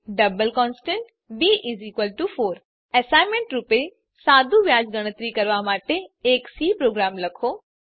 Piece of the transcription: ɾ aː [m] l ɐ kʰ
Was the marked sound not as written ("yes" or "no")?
no